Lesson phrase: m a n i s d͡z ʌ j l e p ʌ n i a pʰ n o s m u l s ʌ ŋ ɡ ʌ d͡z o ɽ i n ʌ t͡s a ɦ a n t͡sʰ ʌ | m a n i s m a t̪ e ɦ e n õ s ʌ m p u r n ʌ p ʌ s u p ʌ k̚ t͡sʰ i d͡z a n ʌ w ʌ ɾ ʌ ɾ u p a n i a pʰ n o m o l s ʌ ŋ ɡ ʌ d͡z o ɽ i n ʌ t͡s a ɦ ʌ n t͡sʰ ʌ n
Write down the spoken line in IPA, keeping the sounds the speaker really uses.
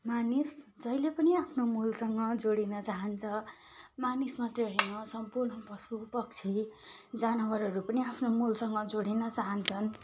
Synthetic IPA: m a n i s d͡z ʌ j l e p ʌ n i a pʰ n o m u l s ʌ ŋ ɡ ʌ d͡z o ɽ i n ʌ t͡s a ɦ ʌ n t͡sʰ ʌ | m a n i s m a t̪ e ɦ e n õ s ʌ m p u r n ʌ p ʌ s u p ʌ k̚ t͡sʰ i d͡z a n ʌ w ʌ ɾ ʌ ɾ u p ʌ n i a pʰ n o m u l s ʌ ŋ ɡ ʌ d͡z o ɽ i n ʌ t͡s a ɦ ʌ n t͡sʰ ʌ n